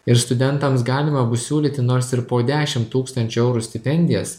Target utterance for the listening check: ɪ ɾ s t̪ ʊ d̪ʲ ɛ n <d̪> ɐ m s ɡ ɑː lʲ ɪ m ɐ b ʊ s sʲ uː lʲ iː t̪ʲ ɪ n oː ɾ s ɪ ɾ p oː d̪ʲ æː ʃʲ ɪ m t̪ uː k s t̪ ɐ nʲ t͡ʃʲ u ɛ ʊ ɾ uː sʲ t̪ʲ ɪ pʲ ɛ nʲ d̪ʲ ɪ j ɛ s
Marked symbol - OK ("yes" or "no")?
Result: no